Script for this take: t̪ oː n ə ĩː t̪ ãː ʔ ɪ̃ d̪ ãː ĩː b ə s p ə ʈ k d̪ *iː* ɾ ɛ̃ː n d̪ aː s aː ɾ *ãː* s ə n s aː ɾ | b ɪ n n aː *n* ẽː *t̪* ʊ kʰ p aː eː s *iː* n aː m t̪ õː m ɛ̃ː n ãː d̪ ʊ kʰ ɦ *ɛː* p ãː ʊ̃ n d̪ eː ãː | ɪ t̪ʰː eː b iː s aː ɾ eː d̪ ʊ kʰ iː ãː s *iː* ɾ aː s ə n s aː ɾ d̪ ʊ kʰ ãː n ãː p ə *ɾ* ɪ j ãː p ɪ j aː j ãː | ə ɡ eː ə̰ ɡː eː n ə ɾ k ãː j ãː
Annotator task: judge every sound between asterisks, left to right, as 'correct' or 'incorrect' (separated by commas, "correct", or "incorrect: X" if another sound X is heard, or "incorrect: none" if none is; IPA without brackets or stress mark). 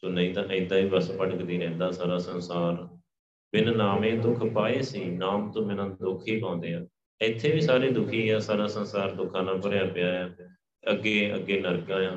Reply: correct, incorrect: aː, incorrect: m, incorrect: d̪, correct, incorrect: iː, incorrect: aː, correct